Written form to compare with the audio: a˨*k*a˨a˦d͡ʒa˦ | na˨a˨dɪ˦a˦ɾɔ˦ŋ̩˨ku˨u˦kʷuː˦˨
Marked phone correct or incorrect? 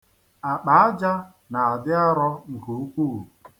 incorrect